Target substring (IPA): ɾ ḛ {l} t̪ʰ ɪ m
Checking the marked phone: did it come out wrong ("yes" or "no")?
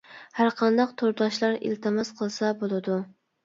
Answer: no